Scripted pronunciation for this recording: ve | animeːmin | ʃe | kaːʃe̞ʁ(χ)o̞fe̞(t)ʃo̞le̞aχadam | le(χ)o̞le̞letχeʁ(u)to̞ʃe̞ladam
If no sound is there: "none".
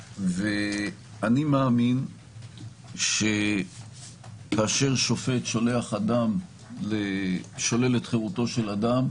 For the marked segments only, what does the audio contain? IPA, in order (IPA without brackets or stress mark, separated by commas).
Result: ʃ, t, ʃ, u